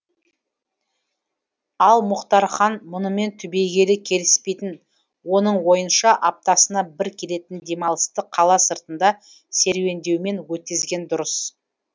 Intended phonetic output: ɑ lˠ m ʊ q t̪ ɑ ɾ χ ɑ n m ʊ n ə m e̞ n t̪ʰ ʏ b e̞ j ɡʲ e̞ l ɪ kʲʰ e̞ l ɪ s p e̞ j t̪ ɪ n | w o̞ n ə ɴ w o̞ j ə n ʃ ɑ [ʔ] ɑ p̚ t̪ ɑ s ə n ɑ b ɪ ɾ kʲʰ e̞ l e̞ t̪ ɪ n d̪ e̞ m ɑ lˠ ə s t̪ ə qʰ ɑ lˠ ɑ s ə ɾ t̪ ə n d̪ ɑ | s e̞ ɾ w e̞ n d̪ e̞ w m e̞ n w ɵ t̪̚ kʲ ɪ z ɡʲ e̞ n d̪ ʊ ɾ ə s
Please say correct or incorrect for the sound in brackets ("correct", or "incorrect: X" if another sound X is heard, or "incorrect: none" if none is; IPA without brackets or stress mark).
correct